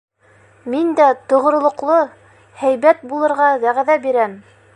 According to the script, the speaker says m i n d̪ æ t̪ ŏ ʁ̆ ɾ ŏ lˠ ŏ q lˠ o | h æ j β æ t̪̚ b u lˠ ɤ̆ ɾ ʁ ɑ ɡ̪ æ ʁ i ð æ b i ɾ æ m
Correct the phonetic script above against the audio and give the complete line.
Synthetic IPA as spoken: m i n d̪ æ t̪ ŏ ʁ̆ ɾ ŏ lˠ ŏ q lˠ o | h æ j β æ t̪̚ b u lˠ ɤ̆ ɾ ʁ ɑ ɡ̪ æ ʁ æ ð æ b i ɾ æ m

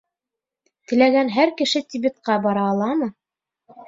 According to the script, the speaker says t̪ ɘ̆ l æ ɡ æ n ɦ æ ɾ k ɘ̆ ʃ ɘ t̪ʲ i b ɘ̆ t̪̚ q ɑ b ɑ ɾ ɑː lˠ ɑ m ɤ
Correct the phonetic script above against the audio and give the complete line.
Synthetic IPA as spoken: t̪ ɘ̆ l æ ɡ æ n ɦ æ ɾ k ɘ̆ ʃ ɘ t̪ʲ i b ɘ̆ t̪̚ q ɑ b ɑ ɾ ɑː lˠ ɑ m ɤ

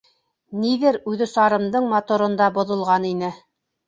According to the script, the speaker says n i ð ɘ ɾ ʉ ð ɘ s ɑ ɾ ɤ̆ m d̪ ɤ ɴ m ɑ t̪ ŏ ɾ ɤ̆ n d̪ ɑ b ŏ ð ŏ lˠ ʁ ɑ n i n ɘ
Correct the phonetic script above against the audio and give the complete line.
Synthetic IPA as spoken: n i ð ɘ ɾ ʉ ð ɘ s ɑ ɾ ɤ̆ m d̪ ɤ ɴ m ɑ t̪ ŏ ɾ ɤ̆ n d̪ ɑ b ŏ ð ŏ lˠ ʁ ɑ n i n ɘ

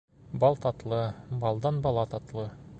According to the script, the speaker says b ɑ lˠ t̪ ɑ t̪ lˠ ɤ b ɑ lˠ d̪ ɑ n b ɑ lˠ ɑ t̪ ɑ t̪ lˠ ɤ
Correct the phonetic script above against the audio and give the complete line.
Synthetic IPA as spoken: b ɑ lˠ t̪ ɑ t̪ lˠ ɤ b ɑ lˠ d̪ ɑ n b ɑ lˠ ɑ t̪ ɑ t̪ lˠ ɤ

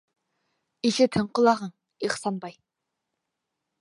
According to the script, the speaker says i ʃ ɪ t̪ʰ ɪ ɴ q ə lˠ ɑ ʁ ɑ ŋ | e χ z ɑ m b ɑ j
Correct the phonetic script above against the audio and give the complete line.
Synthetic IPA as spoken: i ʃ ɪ t̪ʰ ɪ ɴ q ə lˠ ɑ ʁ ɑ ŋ | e χ s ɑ n b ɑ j

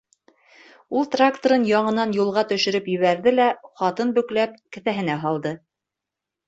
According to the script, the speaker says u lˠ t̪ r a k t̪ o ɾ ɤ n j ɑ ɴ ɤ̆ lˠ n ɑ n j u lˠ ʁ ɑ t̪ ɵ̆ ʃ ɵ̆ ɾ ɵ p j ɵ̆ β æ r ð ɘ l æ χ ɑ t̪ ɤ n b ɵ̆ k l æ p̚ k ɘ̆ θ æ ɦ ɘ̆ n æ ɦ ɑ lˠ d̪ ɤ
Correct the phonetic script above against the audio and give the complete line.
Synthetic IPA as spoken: u lˠ t̪ r a k t̪ o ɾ ɤ n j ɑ ɴ ɤ̆ n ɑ n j u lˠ ʁ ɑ t̪ ɵ̆ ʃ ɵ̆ ɾ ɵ p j ɵ̆ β æ ɾ ð ɘ l æ χ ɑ t̪ ɤ n b ɵ̆ k l æ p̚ k ɘ̆ θ æ ɦ ɘ̆ n æ ɦ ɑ lˠ d̪ ɤ

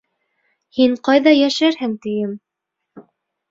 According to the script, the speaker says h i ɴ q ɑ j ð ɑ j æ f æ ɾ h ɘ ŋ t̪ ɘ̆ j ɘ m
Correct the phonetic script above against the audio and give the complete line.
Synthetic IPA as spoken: h i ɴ q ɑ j ð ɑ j æ ʃ æ ɾ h ɘ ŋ t̪ ɘ̆ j ɘ m

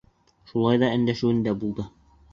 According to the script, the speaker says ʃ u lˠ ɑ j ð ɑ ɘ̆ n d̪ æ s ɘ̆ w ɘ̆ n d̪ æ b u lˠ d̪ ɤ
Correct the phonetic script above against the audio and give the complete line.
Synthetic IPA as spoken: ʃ u lˠ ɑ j ð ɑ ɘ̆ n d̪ æ ʃ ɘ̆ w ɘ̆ n d̪ æ b u lˠ d̪ ɤ

